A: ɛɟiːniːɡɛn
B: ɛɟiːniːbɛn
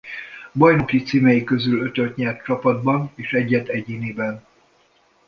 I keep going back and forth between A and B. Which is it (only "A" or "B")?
B